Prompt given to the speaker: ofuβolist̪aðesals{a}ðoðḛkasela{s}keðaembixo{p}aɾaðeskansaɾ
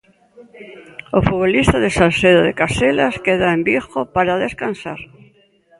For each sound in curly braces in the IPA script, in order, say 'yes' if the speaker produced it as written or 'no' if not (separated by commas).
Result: no, yes, yes